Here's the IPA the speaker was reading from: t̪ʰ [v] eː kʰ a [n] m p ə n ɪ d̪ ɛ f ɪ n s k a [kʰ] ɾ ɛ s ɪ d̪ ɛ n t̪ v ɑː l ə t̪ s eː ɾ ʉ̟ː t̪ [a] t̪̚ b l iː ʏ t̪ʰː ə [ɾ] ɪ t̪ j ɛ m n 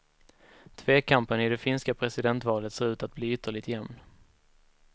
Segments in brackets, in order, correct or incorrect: correct, incorrect: none, incorrect: pʰ, correct, incorrect: ɭ

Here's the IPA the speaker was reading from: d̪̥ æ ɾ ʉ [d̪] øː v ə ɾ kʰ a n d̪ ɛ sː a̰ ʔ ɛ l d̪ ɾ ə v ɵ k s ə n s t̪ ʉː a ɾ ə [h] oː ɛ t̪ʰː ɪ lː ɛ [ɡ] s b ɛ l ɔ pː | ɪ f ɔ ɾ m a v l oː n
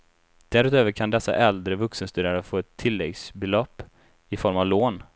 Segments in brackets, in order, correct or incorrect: incorrect: t̪, incorrect: f, correct

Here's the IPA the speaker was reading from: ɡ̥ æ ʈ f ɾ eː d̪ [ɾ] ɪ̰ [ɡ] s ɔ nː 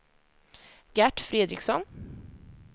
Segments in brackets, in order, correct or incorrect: correct, incorrect: k

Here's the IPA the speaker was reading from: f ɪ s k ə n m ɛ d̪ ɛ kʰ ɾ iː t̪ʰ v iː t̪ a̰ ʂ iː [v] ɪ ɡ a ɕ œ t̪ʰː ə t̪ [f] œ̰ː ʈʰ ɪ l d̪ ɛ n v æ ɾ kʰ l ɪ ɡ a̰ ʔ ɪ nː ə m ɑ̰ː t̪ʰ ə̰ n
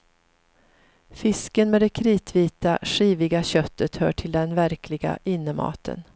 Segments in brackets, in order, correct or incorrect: correct, incorrect: h

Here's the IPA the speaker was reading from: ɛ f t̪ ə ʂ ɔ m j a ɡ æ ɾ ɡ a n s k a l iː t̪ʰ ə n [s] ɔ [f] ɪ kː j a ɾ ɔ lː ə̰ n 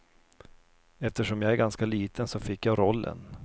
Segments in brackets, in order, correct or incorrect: correct, correct

